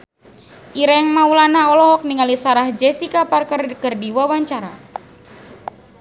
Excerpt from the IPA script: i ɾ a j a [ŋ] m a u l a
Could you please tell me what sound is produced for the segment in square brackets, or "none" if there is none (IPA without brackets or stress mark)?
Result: ŋ